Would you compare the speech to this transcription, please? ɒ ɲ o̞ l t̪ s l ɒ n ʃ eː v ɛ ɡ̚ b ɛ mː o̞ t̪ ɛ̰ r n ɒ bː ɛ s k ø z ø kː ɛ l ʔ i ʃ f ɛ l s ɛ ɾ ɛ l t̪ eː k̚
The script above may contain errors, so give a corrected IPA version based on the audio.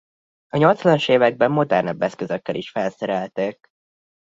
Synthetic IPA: ɒ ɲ o̞ l t̪ s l ɒ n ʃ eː v ɛ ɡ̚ b ɛ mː o̞ d̪ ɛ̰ r n ɒ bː ɛ s k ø z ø kː ɛ l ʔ i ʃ f ɛ l s ɛ ɾ ɛ l t̪ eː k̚

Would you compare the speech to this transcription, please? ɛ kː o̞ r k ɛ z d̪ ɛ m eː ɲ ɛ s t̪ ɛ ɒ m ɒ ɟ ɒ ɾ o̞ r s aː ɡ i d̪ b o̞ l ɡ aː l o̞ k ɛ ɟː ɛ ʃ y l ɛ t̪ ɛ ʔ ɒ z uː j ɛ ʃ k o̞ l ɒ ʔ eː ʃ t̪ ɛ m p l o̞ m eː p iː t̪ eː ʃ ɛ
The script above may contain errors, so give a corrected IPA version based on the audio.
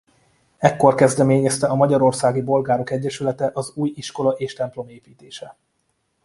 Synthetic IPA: ɛ kː o̞ r k ɛ z d̪ ɛ m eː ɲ ɛ s t̪ ɛ ɒ m ɒ ɟ ɒ ɾ o̞ r s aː ɡ i b o̞ l ɡ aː ɾ o̞ k ɛ ɟː ɛ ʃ y l ɛ t̪ ɛ ʔ ɒ z uː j i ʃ k o̞ l ɒ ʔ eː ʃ t̪ ɛ m p l o̞ m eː p iː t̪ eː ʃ ɛ

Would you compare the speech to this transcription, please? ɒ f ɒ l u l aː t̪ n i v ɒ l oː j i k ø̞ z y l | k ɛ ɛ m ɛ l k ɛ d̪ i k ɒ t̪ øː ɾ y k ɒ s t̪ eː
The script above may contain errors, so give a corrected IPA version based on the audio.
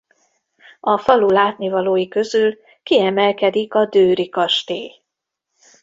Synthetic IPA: ɒ f ɒ l u l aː t̪ n i v ɒ l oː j i k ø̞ z y l | k i ɛ m ɛ l k ɛ d̪ i k ɒ d̪ øː ɾ i k ɒ ʃ t̪ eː

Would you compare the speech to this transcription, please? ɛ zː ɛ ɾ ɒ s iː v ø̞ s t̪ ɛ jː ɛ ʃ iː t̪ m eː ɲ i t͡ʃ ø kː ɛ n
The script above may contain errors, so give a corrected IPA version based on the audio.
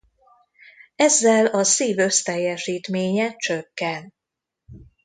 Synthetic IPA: ɛ zː ɛ l ɒ s iː v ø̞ s t̪ ɛ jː ɛ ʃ iː t̪ m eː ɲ ɛ t͡ʃ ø kː ɛ n

